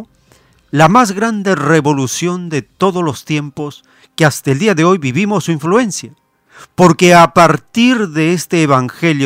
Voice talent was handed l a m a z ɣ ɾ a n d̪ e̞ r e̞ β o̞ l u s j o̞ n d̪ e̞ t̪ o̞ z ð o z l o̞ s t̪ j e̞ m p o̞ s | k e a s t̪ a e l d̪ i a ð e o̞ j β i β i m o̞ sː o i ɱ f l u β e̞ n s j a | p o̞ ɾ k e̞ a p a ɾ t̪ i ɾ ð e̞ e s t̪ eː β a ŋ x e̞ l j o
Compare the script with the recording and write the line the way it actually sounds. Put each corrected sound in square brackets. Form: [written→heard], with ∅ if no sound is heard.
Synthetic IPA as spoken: l a m a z ɣ ɾ a n d̪ e̞ r e̞ β o̞ l u s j o̞ n d̪ e̞ t̪ o̞ [z→∅] ð o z l o̞ s t̪ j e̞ m p o̞ s | k e a s t̪ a e l d̪ i a ð e o̞ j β i β i m o̞ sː [o→u] i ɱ f l u [β→∅] e̞ n s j a | p o̞ ɾ k e̞ a p a ɾ t̪ i ɾ ð e̞ e s t̪ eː β a ŋ x e̞ l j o